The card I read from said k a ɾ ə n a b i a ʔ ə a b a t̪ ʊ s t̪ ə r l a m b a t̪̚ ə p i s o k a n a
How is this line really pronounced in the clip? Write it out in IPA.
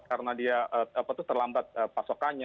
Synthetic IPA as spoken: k a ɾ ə n a d i a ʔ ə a p a t̪ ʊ h t̪ ə r l a m b a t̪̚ ə p a s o k a ɲ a